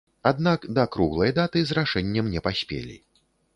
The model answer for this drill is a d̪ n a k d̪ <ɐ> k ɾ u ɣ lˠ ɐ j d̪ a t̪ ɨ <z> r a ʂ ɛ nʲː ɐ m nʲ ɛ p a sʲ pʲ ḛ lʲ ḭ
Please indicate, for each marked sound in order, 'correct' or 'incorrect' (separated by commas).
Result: correct, correct